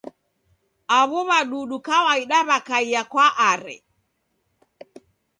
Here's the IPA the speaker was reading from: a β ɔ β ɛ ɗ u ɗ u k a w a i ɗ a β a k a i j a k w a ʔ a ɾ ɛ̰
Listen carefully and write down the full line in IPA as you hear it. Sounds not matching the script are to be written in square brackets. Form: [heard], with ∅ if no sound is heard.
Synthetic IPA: a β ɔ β [a] ɗ u ɗ u k a w a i ɗ a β a k a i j a k w a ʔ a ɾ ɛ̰